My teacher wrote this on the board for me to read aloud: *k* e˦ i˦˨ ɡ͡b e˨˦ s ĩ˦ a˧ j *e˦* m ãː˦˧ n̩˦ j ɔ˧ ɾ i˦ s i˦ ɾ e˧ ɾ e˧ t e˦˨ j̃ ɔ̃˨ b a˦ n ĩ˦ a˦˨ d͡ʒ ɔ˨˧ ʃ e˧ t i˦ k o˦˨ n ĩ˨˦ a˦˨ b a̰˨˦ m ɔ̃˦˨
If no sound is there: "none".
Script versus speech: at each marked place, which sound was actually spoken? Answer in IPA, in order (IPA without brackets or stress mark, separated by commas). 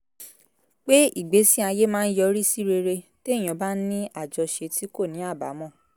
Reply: k͡p, e˦